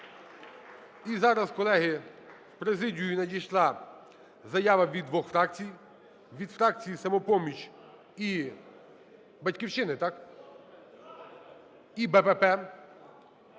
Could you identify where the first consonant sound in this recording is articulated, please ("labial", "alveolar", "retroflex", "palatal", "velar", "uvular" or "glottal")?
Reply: alveolar